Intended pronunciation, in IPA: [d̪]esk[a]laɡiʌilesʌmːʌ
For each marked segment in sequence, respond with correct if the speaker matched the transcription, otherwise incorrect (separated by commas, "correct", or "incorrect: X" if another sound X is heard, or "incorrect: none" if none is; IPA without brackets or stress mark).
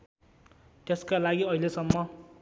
incorrect: t̪, correct